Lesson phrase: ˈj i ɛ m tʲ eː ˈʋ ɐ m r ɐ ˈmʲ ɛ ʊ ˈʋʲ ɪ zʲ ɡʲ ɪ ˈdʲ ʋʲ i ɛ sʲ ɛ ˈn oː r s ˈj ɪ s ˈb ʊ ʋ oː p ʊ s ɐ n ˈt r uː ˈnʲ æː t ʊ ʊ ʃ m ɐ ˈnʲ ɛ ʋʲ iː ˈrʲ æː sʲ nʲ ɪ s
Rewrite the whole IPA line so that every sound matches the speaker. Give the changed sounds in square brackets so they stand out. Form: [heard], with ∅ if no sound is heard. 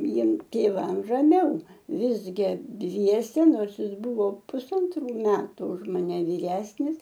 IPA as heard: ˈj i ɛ m tʲ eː ˈʋ ɐ m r ɐ ˈmʲ ɛ ʊ ˈʋʲ ɪ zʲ ɡʲ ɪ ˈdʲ ʋʲ i ɛ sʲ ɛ ˈn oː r s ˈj ɪ s ˈb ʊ ʋ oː p ʊ s ɐ n ˈt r uː [ˈmʲ] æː t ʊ ʊ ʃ m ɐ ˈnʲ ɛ ʋʲ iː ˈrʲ æː sʲ nʲ ɪ s